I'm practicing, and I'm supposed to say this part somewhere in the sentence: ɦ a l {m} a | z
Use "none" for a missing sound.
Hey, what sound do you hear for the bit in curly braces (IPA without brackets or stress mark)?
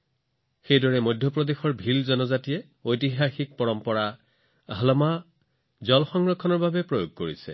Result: m